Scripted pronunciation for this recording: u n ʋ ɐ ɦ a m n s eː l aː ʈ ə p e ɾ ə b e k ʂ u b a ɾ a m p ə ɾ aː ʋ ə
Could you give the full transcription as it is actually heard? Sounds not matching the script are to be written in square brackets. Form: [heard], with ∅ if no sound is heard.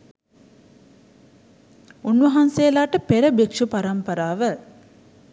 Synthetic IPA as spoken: u n ʋ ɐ ɦ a [∅] n s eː l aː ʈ ə p e ɾ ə b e k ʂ u [p] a ɾ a m p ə ɾ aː ʋ ə